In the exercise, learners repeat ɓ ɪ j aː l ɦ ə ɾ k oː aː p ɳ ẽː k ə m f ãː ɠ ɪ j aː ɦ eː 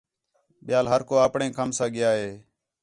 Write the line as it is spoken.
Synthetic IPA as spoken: ɓ ɪ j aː l ɦ ə ɾ k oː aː p ɳ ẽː k ə m s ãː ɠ ɪ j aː ɦ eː